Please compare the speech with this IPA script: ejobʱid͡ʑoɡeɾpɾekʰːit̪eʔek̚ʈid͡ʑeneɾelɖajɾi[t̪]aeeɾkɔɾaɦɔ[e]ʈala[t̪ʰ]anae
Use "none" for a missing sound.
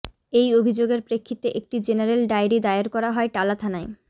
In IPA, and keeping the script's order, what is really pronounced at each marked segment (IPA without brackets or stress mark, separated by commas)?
d̪, e, t̪ʰ